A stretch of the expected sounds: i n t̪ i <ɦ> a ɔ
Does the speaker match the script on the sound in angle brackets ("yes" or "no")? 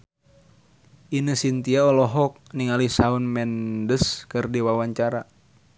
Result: no